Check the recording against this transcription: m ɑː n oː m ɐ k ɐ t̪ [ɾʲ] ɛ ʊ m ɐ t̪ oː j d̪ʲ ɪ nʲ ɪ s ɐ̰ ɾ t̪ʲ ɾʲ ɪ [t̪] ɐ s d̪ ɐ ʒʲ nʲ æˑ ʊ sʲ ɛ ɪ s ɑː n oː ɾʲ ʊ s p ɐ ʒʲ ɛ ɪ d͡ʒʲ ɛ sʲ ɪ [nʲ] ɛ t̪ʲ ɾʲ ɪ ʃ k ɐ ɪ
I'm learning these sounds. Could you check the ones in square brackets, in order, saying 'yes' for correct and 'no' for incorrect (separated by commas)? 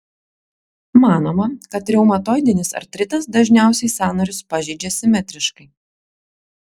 yes, yes, no